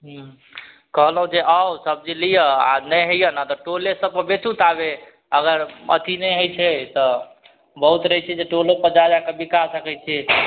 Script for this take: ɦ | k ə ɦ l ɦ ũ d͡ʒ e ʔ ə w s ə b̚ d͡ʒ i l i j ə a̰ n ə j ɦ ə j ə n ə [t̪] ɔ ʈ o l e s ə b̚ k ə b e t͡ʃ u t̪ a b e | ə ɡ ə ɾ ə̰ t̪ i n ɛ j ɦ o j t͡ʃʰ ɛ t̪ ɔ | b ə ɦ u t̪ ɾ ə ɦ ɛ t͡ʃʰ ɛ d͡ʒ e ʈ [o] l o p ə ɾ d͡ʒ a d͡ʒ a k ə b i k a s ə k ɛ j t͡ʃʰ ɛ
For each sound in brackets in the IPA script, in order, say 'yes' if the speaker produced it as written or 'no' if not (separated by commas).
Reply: yes, yes